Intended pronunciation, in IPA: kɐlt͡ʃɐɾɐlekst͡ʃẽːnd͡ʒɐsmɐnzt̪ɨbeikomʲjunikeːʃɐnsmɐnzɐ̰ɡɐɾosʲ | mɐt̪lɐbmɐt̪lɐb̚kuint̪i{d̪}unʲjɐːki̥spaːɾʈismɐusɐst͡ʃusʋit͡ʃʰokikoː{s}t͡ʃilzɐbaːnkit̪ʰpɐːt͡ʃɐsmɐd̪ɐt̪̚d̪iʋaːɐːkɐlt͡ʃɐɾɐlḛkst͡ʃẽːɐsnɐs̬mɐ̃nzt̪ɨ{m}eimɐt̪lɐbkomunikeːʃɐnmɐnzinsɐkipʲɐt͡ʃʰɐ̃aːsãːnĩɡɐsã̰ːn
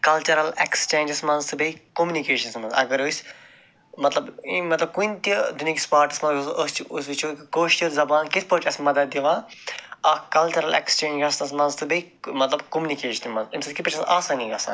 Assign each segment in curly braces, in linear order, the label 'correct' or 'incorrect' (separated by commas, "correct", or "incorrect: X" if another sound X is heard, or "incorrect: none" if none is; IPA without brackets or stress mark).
correct, incorrect: ʃ, incorrect: b